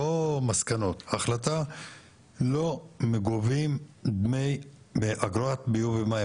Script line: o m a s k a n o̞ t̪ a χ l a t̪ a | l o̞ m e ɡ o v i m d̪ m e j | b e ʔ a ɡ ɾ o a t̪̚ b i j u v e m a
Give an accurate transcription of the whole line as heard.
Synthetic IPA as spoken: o m a s k a n o̞ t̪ a χ l a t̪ a | l o̞ m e ɡ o v i m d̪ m e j | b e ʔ a ɡ ɾ o a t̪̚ b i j u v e m a